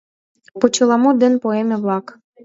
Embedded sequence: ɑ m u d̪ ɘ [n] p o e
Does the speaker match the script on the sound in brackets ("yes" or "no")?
yes